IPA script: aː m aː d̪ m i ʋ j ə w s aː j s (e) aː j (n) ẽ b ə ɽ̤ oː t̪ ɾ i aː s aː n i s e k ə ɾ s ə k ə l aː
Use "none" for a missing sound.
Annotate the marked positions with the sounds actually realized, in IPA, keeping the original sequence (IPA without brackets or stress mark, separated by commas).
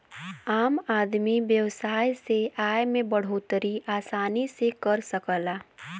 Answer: e, m